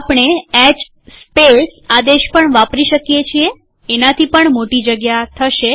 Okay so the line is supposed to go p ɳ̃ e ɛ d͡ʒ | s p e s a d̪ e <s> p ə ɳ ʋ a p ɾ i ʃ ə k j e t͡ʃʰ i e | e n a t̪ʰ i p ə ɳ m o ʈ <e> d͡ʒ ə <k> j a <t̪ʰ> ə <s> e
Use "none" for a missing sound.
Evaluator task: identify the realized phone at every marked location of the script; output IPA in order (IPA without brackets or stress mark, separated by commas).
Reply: ʃ, i, ɡ, t̪ʰ, ʃ